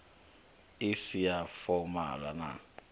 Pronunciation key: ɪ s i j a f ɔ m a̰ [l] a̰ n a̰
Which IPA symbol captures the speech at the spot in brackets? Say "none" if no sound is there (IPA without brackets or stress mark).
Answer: l